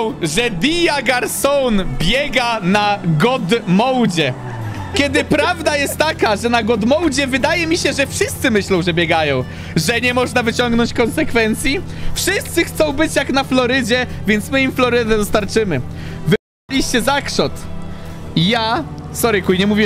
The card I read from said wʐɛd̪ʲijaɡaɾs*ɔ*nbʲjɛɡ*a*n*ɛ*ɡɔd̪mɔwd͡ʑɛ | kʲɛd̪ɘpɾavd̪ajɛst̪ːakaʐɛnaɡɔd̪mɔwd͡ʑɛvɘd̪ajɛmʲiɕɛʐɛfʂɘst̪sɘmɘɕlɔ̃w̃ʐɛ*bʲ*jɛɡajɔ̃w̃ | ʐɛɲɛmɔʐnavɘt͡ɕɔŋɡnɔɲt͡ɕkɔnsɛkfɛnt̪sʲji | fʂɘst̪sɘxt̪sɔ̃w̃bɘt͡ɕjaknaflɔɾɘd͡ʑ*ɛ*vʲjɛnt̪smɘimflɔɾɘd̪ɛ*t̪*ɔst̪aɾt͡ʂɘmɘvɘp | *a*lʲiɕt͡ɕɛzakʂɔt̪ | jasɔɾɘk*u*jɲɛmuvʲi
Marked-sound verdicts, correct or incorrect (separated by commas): correct, correct, incorrect, correct, correct, incorrect, correct, correct